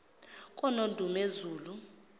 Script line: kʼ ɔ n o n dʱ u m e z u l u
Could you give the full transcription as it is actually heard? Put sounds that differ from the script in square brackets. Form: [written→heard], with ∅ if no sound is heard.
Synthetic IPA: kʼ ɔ n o n dʱ u m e z [u→uː] l u